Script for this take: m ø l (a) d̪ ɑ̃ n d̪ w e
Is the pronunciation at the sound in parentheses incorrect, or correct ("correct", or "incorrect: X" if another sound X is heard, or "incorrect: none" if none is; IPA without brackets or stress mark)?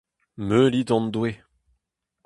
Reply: incorrect: i